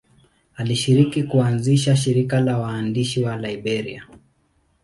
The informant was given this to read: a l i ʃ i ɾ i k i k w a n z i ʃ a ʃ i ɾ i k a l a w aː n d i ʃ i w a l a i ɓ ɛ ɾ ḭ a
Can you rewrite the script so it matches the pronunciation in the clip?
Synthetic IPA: a l i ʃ i ɾ i k i k u a n z i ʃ a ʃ i ɾ i k a l a w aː n d i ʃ i w a l a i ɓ ɛ ɾ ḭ a